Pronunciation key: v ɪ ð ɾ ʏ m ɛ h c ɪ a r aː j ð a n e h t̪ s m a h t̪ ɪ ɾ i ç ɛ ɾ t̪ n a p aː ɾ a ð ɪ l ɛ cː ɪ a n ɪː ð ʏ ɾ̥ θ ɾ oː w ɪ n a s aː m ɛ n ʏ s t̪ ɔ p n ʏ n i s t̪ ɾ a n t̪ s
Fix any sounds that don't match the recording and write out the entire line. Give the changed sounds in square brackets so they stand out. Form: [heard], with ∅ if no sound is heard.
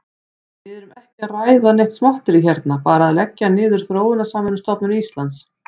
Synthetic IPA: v ɪ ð ɾ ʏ m ɛ h c ɪ a r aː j ð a n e h t̪ s m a h t̪ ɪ ɾ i ç ɛ ɾ t̪ n a p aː ɾ a ð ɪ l ɛ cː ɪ a n ɪː ð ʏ ɾ̥ θ ɾ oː w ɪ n a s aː m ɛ n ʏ s t̪ ɔ p n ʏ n i s t̪ [l] a n t̪ s